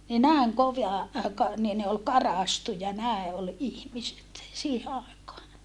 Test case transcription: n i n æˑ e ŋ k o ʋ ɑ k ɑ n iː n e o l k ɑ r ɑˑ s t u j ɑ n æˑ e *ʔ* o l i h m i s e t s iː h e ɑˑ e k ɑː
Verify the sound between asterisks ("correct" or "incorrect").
correct